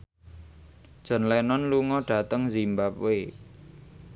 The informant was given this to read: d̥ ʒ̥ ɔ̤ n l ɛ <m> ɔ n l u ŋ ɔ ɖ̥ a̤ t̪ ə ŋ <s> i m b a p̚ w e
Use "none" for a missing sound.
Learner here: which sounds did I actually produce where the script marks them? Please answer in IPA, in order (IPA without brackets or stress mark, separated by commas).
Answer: n, z